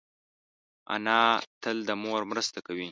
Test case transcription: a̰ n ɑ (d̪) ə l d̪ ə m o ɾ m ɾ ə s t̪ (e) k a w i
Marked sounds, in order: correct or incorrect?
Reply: incorrect: t̪, incorrect: a

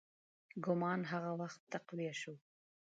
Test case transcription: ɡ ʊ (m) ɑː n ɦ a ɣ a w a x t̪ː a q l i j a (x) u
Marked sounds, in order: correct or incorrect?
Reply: correct, incorrect: ʃ

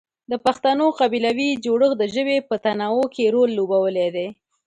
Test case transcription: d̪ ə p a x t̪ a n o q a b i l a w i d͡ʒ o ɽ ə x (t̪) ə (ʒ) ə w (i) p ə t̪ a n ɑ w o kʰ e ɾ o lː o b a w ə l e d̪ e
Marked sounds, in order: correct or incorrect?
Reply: incorrect: d̪, correct, incorrect: e

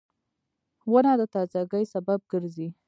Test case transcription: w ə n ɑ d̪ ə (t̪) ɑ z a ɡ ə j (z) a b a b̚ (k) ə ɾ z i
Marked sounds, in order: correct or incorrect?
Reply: correct, incorrect: s, incorrect: ɡ

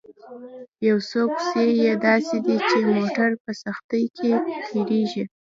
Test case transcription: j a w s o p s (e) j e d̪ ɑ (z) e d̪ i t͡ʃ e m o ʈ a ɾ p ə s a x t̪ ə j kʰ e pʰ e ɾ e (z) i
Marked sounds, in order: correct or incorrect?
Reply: correct, incorrect: s, incorrect: ʒ

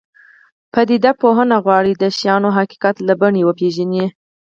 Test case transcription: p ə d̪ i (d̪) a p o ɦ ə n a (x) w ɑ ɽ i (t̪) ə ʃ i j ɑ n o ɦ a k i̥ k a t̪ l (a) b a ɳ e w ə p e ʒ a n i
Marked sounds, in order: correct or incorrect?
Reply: correct, incorrect: ɣ, incorrect: d̪, correct

